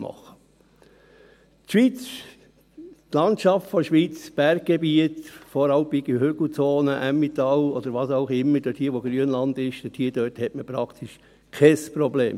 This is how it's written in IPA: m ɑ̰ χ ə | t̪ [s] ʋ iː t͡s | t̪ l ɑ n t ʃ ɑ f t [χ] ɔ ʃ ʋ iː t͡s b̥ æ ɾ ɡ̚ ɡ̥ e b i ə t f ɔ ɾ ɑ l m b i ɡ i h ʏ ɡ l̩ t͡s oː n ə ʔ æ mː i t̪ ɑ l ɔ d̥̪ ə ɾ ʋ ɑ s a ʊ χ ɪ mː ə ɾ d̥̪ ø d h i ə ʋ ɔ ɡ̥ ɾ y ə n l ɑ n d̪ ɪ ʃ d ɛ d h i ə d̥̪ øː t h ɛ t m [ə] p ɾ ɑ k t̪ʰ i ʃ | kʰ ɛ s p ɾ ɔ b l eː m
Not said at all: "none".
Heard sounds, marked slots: ʃ, f, ə

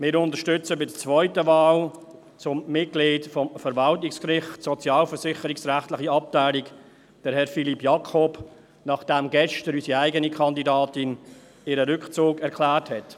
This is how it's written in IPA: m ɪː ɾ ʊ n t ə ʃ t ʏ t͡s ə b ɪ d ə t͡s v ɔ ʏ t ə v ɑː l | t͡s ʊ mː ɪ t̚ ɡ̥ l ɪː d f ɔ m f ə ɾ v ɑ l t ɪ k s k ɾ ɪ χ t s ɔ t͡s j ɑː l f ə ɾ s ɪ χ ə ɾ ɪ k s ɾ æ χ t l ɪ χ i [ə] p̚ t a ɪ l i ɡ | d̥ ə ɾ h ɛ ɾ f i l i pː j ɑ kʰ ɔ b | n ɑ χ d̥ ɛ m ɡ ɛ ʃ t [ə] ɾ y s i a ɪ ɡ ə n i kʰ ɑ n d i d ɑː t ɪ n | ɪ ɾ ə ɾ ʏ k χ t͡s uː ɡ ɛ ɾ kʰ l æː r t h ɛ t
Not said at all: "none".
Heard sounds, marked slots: ɑ, ə

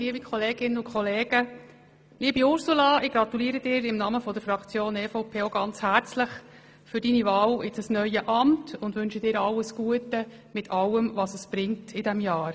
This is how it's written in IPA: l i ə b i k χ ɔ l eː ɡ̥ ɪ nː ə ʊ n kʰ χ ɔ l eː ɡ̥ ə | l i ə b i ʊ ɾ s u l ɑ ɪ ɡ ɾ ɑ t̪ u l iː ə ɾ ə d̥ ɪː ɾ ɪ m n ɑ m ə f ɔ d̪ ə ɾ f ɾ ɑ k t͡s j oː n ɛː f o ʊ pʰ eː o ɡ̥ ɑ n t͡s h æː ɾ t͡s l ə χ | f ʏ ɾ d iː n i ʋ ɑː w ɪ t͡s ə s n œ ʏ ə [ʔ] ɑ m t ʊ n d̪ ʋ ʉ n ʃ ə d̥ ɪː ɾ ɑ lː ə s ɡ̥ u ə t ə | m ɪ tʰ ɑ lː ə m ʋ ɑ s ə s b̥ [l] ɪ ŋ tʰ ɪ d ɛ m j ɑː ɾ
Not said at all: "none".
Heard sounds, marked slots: ʔ, ɾ

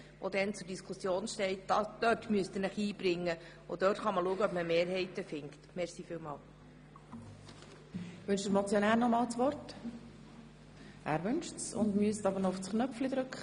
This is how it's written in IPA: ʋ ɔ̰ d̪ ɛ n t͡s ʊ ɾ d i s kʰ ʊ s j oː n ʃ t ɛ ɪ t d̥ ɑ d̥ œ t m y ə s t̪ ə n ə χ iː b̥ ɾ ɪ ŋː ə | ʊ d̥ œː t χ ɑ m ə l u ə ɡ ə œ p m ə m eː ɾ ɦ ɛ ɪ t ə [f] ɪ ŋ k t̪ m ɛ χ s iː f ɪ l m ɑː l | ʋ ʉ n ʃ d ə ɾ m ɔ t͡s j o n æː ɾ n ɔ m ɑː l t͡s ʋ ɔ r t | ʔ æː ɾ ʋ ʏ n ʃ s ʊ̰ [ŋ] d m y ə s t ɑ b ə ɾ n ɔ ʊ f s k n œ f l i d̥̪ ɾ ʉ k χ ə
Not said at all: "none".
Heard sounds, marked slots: f, n

